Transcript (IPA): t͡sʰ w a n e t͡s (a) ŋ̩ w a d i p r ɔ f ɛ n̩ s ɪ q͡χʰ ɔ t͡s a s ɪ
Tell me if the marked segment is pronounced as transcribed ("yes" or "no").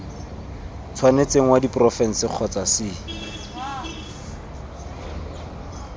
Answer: no